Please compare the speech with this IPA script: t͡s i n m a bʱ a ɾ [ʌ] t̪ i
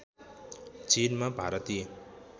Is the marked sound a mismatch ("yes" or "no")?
no